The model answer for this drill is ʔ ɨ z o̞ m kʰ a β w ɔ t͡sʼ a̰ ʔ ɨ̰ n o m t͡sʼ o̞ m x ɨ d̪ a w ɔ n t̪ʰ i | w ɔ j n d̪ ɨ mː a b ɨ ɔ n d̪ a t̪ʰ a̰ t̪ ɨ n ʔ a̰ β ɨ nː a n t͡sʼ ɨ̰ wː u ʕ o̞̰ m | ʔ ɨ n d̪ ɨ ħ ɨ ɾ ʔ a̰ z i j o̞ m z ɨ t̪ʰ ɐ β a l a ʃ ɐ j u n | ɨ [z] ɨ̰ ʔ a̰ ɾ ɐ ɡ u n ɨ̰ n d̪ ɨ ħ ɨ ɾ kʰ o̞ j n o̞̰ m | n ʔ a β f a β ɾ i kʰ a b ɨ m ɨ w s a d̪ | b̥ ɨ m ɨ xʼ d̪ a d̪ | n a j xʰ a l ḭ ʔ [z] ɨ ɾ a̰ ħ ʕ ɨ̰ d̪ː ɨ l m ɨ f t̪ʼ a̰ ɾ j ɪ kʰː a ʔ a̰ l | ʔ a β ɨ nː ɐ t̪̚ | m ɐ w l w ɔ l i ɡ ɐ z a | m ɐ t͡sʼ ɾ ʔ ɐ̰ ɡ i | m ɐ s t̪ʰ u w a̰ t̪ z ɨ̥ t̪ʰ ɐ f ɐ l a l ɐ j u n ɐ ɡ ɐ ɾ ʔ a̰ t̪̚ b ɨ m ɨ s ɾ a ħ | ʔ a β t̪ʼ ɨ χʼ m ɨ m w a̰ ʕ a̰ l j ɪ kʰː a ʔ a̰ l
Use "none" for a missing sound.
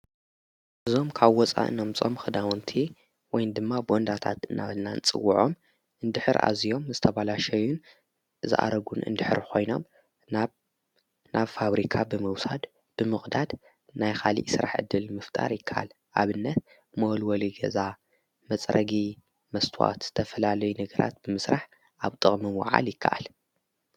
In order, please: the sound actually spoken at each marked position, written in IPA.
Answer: z, s

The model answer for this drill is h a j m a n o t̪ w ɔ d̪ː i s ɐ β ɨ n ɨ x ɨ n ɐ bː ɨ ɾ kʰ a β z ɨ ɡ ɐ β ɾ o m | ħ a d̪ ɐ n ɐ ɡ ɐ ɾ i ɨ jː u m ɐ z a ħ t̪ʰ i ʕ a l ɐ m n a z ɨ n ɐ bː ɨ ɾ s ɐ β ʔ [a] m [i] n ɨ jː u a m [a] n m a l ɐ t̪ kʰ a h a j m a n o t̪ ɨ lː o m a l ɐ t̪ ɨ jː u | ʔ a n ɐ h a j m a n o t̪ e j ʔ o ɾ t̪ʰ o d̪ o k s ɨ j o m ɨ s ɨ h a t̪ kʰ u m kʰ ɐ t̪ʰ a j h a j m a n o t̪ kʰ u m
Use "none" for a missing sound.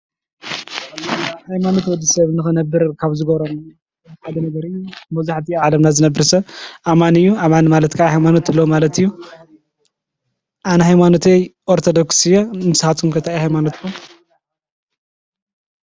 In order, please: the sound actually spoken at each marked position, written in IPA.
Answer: a, a, a

